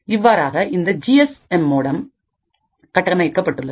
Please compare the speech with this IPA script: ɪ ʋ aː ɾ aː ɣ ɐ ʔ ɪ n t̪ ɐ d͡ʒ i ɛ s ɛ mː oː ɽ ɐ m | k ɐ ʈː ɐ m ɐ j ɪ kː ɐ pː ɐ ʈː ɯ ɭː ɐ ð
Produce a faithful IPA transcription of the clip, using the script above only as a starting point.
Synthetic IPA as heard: ɪ ʋː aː ɾ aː ɣ ɐ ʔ ɪ n d̪ ɐ d͡ʒ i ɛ s ɛ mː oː ɽ ɐ m | k ɐ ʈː ɐ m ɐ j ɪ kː ɐ pː ɐ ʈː ɯ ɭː ɐ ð